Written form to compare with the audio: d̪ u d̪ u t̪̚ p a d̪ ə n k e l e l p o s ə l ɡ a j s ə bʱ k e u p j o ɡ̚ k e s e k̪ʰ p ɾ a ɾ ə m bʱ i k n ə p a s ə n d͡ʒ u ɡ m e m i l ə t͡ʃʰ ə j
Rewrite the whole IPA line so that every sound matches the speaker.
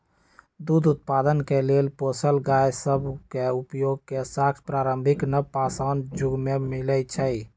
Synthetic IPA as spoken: d̪ u d̪ u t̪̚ p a d̪ ə n k e l e l p o s ə l ɡ a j s ə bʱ k e u p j o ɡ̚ k e s a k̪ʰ p ɾ a ɾ ə m bʱ i k n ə p a s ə n d͡ʒ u ɡ m e m i l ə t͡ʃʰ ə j